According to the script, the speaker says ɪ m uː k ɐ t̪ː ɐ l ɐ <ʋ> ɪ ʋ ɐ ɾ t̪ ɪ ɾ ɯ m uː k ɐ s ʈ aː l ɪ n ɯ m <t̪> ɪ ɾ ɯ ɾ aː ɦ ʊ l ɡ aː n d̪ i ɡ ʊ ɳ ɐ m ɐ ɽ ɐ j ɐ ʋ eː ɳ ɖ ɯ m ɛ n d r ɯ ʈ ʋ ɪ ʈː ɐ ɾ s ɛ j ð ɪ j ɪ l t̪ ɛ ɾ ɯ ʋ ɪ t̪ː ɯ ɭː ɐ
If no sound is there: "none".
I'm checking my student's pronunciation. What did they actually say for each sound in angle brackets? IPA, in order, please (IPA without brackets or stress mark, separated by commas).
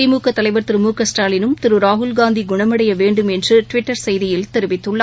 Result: none, t̪